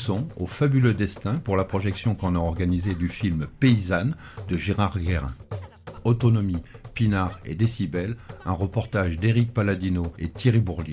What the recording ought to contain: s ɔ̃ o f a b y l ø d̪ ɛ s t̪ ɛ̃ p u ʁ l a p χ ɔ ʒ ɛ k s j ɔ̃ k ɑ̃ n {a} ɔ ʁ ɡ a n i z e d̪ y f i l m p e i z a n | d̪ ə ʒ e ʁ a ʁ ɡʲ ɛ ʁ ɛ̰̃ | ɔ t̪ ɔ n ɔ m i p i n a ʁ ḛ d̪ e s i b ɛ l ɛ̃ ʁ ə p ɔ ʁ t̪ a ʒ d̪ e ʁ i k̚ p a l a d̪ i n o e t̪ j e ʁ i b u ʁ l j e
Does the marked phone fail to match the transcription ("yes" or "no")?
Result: no